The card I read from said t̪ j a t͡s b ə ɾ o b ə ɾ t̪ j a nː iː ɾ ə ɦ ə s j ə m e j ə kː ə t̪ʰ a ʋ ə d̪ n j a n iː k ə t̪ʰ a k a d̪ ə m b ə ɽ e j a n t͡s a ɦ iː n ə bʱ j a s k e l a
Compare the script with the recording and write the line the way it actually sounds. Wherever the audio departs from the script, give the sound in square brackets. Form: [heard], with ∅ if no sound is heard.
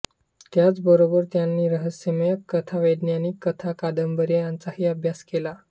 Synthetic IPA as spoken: t̪ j a t͡s b ə ɾ o b ə ɾ t̪ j a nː iː ɾ ə ɦ ə s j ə m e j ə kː ə t̪ʰ a ʋ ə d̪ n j a n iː k ə t̪ʰ a k a d̪ ə m b ə [ɾ] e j a n t͡s a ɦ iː [∅] ə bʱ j a s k e l a